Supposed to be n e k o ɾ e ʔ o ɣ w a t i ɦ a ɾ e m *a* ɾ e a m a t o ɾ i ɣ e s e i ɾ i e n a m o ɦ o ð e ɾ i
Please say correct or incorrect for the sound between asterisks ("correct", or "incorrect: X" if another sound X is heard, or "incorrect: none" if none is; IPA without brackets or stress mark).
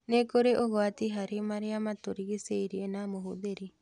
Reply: correct